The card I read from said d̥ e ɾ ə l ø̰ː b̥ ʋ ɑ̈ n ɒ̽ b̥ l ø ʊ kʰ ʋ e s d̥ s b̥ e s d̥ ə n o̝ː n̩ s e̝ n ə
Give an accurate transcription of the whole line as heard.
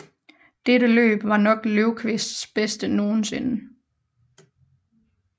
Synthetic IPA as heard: d̥ e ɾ ə l ø̰ː b̥ ʋ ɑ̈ n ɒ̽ ɡ̥ l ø ʊ kʰ ʋ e s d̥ s b̥ e s d̥ ə n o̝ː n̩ s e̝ n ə

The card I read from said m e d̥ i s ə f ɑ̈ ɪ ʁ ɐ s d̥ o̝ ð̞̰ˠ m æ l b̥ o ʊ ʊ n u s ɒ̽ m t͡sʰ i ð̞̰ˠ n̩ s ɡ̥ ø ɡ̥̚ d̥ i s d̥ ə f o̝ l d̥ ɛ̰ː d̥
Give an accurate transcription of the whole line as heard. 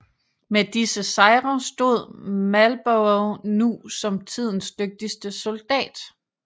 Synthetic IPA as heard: m e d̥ i s ə s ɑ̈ ɪ ʁ ɐ s d̥ o̝ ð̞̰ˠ m æ l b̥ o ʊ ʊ n u s ɒ̽ m t͡sʰ i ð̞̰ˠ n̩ s d̥ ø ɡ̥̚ d̥ i s d̥ ə s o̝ l d̥ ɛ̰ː d̥

